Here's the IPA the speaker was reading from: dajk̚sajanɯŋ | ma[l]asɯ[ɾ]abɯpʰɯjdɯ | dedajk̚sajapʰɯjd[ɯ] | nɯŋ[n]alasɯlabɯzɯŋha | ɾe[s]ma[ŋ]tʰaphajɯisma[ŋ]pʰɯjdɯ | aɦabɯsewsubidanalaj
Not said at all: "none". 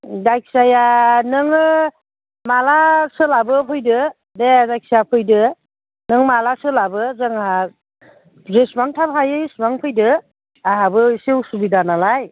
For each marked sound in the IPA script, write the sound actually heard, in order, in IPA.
l, l, ɯ, m, s, ŋ, ŋ

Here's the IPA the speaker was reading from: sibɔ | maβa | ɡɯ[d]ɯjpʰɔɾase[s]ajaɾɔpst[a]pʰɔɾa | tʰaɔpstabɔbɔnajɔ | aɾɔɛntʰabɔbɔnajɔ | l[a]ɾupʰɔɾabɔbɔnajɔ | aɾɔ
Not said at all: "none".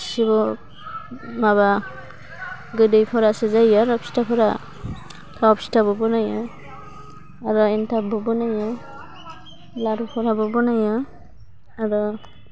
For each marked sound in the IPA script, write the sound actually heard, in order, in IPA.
d, z, a, a

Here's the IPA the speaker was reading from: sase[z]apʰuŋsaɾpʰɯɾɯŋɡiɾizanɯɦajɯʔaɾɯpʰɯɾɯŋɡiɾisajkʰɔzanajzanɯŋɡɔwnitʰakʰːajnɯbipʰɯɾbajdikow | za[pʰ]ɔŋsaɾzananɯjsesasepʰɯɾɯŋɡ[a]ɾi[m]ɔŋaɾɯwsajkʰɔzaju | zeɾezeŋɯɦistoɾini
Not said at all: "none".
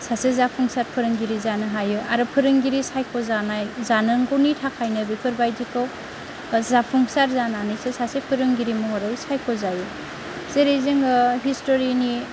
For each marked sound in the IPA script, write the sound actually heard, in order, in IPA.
z, pʰ, i, m

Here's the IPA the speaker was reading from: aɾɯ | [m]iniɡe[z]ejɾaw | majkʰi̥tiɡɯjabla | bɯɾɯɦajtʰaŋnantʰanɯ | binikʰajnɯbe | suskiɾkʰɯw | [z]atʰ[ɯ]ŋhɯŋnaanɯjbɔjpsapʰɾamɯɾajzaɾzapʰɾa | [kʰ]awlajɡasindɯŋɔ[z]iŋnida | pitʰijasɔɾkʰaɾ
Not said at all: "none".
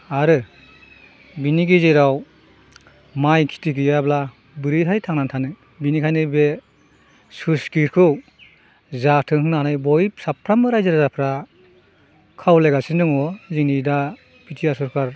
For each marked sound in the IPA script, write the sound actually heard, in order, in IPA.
b, z, z, ɯ, kʰ, z

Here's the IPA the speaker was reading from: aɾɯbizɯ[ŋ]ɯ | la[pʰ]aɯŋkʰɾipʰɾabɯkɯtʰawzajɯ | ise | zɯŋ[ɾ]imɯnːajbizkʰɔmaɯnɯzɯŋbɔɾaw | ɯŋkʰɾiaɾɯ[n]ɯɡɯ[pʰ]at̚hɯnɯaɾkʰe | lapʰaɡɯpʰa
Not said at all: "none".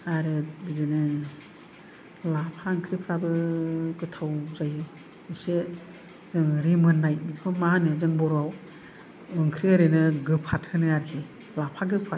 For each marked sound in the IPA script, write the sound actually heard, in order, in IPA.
n, pʰ, ɾ, n, pʰ

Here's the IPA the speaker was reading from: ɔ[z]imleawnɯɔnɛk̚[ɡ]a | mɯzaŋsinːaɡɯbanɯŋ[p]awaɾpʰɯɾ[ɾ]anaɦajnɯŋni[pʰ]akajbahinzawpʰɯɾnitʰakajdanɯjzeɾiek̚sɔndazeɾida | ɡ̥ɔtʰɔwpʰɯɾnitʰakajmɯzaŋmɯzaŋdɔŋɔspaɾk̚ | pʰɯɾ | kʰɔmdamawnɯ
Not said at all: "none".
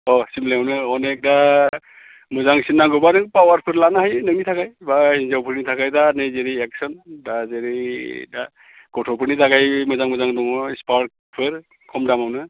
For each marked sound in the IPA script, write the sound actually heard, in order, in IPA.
s, d, p, l, tʰ

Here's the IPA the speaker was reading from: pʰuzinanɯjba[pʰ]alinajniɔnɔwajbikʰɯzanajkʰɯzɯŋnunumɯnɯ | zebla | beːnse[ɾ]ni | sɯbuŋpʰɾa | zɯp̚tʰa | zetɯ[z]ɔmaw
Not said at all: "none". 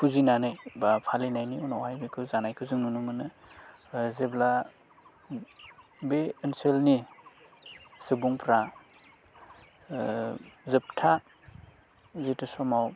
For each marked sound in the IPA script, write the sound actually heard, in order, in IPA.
pʰ, l, s

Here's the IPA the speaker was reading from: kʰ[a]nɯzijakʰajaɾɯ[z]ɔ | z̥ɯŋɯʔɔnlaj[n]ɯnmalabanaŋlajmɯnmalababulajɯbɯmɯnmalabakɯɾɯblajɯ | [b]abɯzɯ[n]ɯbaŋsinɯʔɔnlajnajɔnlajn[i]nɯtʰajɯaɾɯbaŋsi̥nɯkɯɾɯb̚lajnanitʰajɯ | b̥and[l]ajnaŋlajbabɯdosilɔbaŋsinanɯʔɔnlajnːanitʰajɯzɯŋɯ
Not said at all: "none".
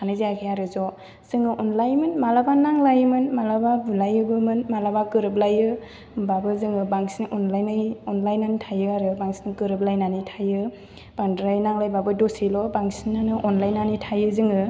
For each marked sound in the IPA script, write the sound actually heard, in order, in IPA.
a, z, m, b, ŋ, a, ɾ

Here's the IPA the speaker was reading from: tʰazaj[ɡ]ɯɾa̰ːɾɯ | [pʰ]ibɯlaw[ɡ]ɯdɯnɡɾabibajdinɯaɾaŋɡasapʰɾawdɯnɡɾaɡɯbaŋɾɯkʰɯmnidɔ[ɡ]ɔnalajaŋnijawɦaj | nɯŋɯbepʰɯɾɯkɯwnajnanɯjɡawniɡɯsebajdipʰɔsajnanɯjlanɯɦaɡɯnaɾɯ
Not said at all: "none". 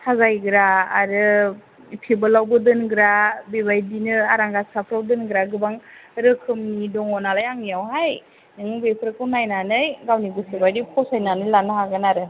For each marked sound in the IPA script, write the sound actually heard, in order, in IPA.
ɡ, pʰ, b, ŋ

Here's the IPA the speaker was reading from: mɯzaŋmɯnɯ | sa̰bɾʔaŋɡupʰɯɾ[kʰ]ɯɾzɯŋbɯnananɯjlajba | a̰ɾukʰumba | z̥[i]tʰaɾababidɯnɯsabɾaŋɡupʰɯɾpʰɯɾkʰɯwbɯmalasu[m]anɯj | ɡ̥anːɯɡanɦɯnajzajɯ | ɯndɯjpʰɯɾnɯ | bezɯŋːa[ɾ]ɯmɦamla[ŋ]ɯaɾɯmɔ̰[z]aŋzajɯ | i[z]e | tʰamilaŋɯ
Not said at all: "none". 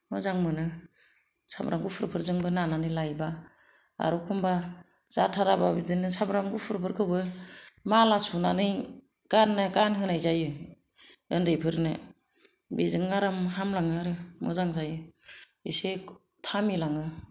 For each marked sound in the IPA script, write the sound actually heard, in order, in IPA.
pʰ, a, n, ɾ, ŋ, z, s

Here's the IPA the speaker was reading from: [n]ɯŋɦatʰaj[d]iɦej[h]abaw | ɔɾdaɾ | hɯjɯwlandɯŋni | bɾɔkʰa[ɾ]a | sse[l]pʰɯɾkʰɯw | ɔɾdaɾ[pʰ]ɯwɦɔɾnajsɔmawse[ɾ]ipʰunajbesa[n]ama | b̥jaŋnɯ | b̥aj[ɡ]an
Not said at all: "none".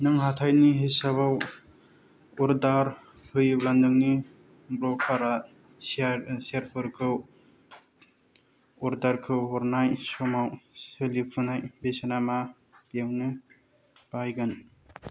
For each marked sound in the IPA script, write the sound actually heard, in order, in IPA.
n, n, s, ɾ, ɾ, kʰ, l, n, ɡ

